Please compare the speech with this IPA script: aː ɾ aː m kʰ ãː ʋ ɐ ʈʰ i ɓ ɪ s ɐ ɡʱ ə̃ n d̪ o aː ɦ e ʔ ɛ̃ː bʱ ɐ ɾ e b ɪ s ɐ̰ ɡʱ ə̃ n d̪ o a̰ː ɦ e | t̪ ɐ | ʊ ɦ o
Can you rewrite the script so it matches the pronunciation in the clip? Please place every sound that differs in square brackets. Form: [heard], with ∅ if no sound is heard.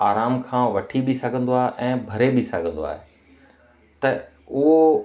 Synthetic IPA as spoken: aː ɾ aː m kʰ ãː ʋ ɐ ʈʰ i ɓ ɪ s ɐ ɡʱ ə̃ n d̪ o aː ɦ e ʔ ɛ̃ː bʱ ɐ ɾ e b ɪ s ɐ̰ ɡʱ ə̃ n d̪ o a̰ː ɦ e | t̪ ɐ | ʊ ɦ o